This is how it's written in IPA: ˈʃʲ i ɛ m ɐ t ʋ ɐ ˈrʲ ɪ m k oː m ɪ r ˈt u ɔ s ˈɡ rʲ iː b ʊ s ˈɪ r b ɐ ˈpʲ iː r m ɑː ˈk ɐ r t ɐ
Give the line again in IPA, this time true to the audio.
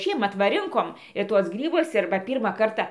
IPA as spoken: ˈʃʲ i ɛ m ɐ t ʋ ɐ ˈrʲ ɪ ŋ k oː m ɪ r ˈt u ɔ s ˈɡ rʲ iː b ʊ s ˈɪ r b ɐ ˈpʲ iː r m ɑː ˈk ɐ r t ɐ